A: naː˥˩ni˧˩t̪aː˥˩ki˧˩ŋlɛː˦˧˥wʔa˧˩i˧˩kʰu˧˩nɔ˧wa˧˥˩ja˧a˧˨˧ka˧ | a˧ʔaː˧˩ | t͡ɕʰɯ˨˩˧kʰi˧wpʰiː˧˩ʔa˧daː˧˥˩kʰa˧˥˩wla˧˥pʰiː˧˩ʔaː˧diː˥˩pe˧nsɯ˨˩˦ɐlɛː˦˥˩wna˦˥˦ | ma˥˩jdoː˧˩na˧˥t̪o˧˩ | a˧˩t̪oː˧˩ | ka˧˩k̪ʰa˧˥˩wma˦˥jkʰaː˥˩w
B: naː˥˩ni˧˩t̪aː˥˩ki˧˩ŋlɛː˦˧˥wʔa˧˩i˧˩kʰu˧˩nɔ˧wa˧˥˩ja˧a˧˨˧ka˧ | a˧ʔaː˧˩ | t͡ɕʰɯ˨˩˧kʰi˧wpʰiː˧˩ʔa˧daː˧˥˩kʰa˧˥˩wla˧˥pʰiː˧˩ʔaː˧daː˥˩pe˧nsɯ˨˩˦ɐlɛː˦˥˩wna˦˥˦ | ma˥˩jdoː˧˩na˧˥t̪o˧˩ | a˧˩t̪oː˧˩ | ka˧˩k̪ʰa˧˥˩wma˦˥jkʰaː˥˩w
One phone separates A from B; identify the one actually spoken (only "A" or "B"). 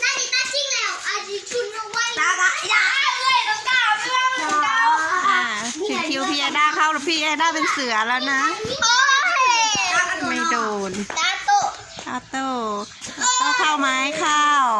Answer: B